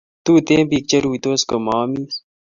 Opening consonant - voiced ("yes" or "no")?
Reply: no